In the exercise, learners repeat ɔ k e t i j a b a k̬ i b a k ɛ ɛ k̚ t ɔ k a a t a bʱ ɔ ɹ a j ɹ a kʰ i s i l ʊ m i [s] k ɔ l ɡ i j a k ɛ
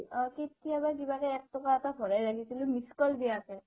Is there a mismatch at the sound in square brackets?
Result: no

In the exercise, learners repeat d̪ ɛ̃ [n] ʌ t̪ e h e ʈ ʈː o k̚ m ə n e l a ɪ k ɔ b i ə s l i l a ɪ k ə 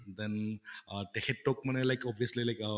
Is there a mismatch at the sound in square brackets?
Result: no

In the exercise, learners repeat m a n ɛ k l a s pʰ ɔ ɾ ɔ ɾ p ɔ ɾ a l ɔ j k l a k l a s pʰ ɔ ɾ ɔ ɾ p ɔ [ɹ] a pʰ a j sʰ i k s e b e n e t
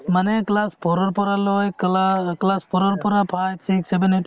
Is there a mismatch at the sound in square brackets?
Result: yes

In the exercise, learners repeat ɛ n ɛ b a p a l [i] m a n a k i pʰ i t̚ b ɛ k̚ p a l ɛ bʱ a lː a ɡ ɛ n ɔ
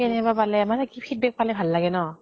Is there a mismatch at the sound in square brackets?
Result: yes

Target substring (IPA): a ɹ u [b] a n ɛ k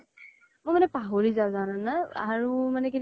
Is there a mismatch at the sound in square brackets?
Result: yes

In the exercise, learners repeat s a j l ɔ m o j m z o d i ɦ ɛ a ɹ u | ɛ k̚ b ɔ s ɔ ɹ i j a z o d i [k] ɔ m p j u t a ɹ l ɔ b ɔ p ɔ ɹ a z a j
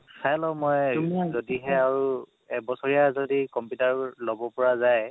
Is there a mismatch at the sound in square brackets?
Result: no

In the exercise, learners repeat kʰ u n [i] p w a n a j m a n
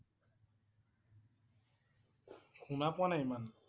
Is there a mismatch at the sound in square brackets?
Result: yes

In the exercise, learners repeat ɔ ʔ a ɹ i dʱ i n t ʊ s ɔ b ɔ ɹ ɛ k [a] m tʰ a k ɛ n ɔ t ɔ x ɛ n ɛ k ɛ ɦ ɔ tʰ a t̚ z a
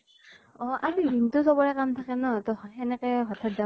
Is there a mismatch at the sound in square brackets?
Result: no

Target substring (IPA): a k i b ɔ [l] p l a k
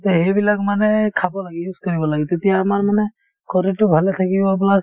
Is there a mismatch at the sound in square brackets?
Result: yes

